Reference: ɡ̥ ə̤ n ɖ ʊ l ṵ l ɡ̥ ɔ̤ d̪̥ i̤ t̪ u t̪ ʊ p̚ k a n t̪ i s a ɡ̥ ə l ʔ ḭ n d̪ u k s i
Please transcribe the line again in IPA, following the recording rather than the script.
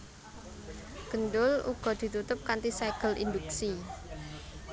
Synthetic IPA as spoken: ɡ̥ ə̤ n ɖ ʊ l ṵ ɡ̥ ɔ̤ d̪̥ i̤ t̪ u t̪ ʊ p̚ k a n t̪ i s a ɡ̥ ə l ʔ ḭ n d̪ u k s i